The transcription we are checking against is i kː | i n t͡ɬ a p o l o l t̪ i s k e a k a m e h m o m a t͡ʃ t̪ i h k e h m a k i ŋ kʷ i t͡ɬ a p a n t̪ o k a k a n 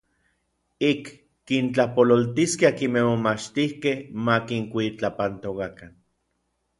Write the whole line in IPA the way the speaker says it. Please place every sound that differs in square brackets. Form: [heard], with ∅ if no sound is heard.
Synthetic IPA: i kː | i n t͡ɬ a p o l o l t̪ i s k e a k [i] m e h m o m a t͡ʃ t̪ i h k e h m a k i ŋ kʷ i t͡ɬ a p a n t̪ o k a k a n